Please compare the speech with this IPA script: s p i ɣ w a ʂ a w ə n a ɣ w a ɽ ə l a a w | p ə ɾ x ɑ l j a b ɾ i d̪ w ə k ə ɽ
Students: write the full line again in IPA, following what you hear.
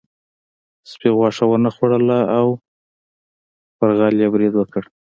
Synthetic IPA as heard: s p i ɣ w ɑ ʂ a w ə n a x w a ɽ ə l a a w | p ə ɾ ɣ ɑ l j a b ɾ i d̪ w ə k ə ɽ